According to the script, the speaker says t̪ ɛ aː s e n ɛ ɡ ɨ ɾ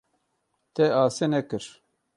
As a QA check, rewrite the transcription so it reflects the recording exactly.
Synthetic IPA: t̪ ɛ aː s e n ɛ k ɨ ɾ